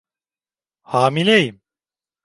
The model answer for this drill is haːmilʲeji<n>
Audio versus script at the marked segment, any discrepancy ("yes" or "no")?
yes